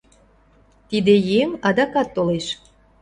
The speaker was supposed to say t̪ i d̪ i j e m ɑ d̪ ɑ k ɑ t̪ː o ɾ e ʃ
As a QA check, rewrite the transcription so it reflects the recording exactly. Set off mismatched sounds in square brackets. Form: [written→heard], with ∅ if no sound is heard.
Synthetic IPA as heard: t̪ i d̪ [i→e] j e m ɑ d̪ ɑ k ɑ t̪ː o [ɾ→l] e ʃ